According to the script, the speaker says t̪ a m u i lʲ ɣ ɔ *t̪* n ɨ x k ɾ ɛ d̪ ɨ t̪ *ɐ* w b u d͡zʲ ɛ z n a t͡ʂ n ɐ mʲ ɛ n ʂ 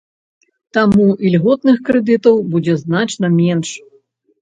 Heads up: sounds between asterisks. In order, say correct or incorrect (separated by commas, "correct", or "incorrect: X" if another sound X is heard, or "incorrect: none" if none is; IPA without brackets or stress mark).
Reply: correct, correct